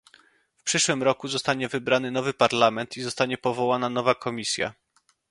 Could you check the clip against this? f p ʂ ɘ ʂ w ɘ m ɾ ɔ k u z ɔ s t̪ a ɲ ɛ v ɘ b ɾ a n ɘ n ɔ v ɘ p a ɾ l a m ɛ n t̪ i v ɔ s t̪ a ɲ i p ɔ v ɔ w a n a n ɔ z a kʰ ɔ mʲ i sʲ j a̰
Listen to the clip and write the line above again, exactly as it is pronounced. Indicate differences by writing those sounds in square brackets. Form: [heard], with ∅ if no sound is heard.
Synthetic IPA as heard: f p ʂ ɘ ʂ w ɘ m ɾ ɔ k u z ɔ s t̪ a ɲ ɛ v ɘ b ɾ a n ɘ n ɔ v ɘ p a ɾ l a m ɛ n t̪ i [z] ɔ s t̪ a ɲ [ɛ] p ɔ v ɔ w a n a n ɔ [v] a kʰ ɔ mʲ i sʲ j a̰